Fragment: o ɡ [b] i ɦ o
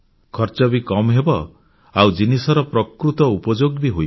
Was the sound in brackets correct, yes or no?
yes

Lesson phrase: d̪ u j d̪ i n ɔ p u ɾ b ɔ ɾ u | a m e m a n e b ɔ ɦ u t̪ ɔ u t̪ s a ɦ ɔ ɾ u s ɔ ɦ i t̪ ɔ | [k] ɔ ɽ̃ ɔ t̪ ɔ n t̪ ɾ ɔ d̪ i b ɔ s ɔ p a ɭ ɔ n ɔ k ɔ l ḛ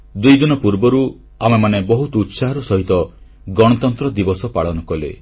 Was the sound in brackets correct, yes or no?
no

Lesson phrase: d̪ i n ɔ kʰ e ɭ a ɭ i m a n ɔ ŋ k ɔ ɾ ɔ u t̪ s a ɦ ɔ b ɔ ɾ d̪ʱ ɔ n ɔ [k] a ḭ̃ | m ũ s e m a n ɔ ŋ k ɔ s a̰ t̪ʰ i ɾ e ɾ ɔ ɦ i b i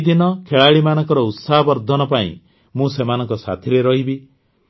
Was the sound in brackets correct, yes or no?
no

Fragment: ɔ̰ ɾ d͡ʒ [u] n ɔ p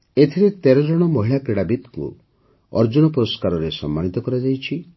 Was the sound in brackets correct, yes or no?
yes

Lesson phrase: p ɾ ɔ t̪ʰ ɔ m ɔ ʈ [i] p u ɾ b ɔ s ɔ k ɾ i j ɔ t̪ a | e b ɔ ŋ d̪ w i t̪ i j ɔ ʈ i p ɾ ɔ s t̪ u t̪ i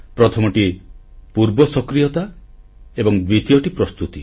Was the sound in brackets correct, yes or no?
yes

